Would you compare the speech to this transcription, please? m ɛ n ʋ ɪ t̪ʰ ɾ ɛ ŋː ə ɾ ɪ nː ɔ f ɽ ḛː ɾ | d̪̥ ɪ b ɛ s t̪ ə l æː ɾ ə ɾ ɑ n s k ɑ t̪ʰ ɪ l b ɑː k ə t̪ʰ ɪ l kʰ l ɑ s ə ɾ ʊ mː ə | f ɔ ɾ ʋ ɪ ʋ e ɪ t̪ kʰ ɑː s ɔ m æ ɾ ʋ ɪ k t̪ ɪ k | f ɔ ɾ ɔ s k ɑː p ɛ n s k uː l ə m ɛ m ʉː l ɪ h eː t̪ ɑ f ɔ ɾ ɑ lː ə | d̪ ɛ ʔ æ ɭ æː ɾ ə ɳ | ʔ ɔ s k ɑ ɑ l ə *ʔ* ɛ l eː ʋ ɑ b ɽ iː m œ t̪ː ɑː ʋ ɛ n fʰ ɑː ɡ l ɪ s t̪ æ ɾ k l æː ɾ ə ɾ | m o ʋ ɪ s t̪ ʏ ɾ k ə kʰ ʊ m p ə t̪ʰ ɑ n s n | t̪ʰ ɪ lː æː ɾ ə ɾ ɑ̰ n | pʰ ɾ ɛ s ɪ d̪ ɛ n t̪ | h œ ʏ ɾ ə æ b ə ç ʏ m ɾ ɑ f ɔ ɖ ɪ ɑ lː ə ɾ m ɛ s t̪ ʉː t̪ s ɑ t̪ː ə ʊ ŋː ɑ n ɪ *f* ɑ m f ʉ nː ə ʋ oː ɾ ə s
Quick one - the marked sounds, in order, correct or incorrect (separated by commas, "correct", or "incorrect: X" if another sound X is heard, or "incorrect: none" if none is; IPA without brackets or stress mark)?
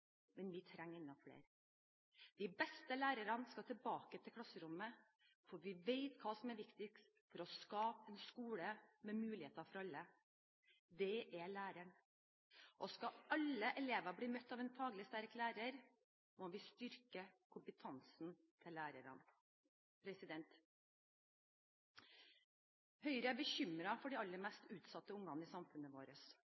correct, incorrect: s